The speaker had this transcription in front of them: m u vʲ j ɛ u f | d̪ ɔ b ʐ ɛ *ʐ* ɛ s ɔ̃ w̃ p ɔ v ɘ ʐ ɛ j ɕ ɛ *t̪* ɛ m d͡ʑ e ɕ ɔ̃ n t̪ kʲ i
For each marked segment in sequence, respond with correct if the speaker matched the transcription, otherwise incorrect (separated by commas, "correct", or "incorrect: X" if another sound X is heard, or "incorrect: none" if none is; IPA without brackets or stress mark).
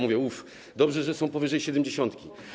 correct, incorrect: d̪